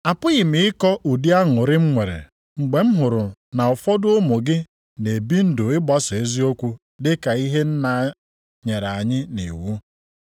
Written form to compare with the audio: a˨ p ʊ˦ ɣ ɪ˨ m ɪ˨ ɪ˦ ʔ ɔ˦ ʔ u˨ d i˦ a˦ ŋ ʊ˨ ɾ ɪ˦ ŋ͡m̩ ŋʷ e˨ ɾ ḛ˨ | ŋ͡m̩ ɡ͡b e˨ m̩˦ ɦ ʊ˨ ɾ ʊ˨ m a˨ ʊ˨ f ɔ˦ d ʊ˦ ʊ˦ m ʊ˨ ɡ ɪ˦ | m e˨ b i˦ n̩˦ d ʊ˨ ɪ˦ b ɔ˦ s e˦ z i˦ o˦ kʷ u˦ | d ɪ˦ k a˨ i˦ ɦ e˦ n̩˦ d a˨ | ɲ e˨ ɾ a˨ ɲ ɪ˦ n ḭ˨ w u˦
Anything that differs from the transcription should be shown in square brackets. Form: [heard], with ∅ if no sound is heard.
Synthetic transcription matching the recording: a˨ p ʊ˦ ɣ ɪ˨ m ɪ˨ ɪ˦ [k] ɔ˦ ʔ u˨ d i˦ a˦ ŋ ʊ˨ ɾ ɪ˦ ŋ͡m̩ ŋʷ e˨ ɾ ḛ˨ | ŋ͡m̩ ɡ͡b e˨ m̩˦ ɦ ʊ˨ ɾ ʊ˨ [n] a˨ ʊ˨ f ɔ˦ d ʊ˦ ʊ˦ m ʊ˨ ɡ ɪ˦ | [n] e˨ b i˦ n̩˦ d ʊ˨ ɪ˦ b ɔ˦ s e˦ z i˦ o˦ kʷ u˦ | d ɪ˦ k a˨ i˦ ɦ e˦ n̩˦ [n] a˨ | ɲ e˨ ɾ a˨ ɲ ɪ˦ n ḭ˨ w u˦